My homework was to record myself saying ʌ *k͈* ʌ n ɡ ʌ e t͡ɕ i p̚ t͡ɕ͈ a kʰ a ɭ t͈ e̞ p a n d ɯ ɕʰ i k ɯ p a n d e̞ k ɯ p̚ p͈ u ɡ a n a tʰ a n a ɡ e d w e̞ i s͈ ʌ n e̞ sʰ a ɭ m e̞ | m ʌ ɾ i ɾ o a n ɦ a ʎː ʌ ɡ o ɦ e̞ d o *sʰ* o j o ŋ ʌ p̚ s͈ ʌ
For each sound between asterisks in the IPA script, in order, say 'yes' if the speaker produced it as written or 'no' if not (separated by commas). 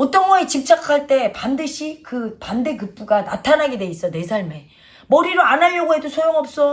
no, yes